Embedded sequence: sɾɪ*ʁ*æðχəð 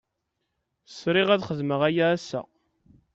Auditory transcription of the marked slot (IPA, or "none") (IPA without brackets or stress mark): ʁ